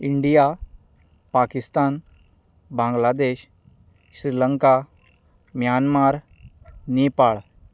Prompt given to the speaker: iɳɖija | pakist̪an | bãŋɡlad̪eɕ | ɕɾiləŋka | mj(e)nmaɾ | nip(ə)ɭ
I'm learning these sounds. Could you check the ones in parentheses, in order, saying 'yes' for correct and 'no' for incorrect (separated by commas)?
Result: no, no